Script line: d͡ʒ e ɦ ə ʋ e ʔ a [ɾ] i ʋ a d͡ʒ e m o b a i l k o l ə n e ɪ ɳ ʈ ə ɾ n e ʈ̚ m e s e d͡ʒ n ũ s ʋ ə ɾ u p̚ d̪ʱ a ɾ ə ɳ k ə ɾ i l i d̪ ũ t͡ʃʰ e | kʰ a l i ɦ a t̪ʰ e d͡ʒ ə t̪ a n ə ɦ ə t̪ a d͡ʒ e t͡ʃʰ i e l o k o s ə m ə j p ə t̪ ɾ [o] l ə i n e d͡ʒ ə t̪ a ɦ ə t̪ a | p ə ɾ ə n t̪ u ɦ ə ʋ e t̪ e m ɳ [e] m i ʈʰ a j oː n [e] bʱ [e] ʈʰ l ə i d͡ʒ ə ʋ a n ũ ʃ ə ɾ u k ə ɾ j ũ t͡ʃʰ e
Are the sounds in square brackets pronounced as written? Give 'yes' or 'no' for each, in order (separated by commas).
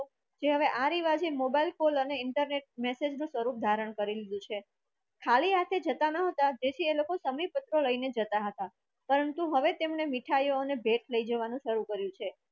yes, yes, yes, yes, yes